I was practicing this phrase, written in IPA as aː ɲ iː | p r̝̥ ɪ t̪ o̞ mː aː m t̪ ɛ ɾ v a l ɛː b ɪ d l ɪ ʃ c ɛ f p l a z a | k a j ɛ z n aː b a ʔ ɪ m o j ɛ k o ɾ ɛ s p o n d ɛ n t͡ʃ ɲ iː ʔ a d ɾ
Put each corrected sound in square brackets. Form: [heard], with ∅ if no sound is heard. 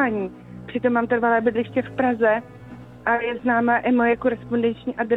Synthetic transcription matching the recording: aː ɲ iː | p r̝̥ ɪ t̪ o̞ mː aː m t̪ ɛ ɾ v a l ɛː b ɪ d l ɪ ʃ c ɛ f p [ɾ] a z [ɛ] | [ʔ] a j ɛ z n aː [m] a ʔ ɪ m o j ɛ k o ɾ ɛ s p o n d ɛ n t͡ʃ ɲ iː ʔ a d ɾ